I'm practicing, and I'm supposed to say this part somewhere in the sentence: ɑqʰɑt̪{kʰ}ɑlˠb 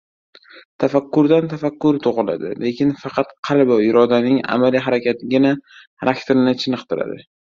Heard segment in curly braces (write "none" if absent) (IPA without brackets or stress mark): qʰ